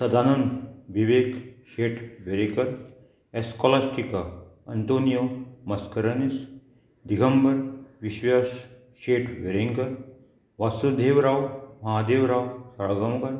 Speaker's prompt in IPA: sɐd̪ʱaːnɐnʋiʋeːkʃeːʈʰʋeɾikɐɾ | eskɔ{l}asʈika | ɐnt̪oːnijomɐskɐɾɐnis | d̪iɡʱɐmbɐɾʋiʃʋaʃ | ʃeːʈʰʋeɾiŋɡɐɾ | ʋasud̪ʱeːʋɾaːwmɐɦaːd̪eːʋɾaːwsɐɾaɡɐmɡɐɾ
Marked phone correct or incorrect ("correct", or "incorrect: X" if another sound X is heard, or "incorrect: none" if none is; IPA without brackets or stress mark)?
correct